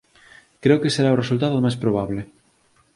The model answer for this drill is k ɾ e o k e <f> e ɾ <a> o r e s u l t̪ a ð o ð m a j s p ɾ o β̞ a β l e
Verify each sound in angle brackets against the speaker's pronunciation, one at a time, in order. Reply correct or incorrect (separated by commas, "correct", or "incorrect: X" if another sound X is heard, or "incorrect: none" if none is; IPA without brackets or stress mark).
incorrect: s, correct